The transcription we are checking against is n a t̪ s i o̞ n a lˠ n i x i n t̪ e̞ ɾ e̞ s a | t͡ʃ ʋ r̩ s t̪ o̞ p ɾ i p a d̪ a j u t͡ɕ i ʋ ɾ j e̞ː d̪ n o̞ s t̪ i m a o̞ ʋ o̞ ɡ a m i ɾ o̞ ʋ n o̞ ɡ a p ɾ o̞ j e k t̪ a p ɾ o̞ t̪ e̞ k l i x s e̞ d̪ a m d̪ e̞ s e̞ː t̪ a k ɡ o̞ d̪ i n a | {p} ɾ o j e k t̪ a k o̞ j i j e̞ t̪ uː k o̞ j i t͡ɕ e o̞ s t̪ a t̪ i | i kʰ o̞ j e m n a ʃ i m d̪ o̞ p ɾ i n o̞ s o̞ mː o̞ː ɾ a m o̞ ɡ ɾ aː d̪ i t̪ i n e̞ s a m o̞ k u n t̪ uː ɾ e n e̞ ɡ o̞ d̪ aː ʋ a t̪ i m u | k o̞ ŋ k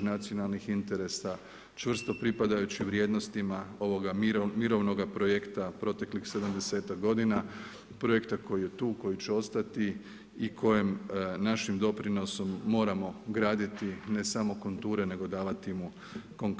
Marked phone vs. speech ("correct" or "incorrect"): correct